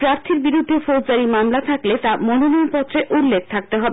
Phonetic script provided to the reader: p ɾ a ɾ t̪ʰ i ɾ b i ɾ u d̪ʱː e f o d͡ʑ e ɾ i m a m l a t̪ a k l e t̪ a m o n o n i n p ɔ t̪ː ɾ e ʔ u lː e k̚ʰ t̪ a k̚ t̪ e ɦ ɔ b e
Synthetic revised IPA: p ɾ a ɾ t̪ʰ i ɾ b i ɾ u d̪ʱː e f o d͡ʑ a ɾ i m a m l a t̪ʰ a k l e t̪ a m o n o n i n p ɔ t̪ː ɾ e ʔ u lː e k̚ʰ t̪ʰ a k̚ t̪ e ɦ ɔ b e